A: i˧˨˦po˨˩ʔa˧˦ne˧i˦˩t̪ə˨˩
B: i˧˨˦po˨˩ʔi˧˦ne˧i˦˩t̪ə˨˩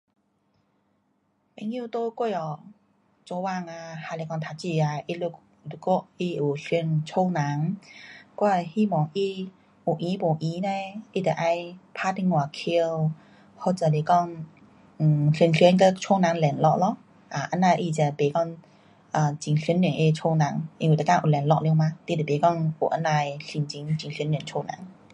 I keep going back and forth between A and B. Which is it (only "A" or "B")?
B